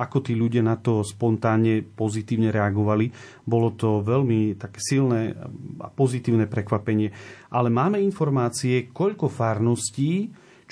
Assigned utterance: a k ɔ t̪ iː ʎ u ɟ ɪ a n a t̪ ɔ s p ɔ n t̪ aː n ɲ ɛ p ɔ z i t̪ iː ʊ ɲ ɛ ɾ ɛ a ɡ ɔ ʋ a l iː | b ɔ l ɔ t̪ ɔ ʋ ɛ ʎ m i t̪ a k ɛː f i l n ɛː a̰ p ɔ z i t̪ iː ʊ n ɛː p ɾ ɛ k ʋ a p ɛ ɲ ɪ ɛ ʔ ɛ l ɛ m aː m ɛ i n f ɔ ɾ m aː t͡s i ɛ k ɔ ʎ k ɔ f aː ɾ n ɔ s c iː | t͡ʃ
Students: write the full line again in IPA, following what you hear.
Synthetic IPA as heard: a k ɔ t̪ iː ʎ u ɟ ɪ a n a t̪ ɔ s p ɔ n t̪ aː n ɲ ɛ p ɔ z i t̪ iː ʊ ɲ ɛ ɾ ɛ a ɡ ɔ ʋ a l i | b ɔ l ɔ t̪ ɔ ʋ ɛ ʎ m i t̪ a k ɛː s i l n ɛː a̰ p ɔ z i t̪ iː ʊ n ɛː p ɾ ɛ k ʋ a p ɛ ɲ ɪ ɛ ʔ a l ɛ m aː m ɛ i n f ɔ ɾ m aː t͡s i ɛ k ɔ ʎ k ɔ f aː ɾ n ɔ s c iː | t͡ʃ